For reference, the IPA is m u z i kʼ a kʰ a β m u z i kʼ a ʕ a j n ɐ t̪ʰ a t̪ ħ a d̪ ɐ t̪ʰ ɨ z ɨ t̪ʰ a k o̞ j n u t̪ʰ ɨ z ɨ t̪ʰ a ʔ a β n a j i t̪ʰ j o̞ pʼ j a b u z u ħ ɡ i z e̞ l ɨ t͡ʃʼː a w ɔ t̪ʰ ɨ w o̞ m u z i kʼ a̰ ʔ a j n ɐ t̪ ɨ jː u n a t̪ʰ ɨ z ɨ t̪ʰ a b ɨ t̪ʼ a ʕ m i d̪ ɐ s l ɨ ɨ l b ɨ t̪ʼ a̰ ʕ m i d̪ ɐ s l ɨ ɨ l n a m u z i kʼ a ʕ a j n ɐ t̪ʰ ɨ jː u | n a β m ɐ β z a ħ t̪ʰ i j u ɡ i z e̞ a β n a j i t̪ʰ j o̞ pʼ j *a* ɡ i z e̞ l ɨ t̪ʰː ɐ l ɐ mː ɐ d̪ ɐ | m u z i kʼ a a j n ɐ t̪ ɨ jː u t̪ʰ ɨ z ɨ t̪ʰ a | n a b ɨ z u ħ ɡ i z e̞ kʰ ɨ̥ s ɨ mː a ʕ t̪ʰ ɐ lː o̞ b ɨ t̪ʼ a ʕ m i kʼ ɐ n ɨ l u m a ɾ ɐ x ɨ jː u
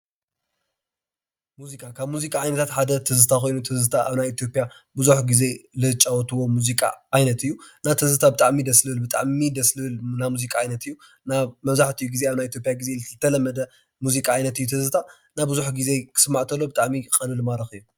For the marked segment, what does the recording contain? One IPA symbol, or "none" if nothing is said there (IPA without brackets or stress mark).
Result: a